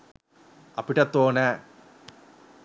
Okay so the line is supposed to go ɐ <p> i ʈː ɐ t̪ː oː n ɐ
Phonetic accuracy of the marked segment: correct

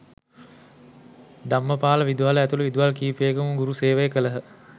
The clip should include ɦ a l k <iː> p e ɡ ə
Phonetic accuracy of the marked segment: correct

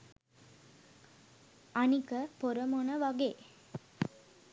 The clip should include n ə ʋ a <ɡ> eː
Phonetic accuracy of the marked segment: correct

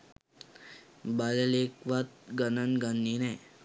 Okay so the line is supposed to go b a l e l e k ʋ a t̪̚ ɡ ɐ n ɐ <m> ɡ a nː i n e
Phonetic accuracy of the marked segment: incorrect: n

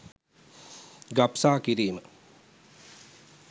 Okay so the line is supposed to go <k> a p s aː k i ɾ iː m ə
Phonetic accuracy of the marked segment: incorrect: ɡ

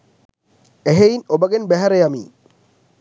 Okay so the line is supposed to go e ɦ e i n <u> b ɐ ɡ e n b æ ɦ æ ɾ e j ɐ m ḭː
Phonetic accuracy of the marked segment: incorrect: o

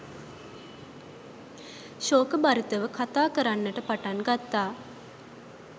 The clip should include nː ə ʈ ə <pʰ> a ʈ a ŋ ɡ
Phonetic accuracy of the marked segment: incorrect: p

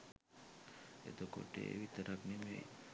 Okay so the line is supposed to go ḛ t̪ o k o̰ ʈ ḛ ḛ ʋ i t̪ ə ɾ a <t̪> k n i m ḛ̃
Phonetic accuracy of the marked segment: incorrect: none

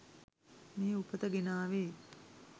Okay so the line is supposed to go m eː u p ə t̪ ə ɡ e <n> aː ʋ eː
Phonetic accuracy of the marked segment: correct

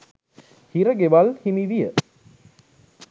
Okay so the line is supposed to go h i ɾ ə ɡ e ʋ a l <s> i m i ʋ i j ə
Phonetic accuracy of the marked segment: incorrect: h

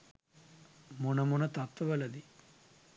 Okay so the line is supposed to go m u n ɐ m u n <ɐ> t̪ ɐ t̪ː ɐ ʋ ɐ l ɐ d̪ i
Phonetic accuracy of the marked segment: correct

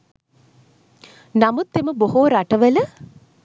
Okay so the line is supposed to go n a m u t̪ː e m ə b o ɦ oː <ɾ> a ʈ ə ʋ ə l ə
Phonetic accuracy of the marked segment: correct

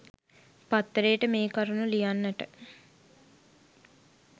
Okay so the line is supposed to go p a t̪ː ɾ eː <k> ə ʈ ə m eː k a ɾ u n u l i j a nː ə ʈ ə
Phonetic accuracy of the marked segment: incorrect: none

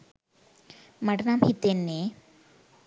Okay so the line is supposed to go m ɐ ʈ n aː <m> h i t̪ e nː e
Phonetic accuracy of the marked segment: correct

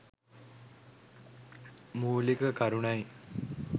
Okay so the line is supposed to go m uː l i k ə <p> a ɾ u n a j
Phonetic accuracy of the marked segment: incorrect: k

